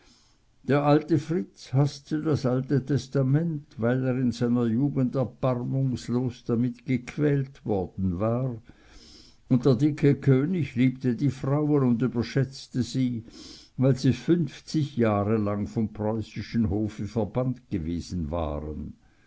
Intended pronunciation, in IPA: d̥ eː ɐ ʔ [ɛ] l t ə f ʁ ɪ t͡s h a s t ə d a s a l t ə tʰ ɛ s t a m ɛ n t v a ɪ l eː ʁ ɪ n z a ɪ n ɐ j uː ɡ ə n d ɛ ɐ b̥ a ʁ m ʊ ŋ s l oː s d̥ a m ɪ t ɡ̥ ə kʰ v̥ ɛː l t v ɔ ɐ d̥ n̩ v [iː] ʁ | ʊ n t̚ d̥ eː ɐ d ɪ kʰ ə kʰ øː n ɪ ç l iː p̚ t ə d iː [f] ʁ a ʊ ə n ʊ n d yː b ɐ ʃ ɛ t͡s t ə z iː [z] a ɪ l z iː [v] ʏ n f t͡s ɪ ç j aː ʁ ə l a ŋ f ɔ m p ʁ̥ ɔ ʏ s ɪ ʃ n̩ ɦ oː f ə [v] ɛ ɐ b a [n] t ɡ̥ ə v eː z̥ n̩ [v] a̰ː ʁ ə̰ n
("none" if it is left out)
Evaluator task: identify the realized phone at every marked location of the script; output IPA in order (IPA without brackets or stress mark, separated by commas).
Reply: a, aː, f, v, f, f, n, v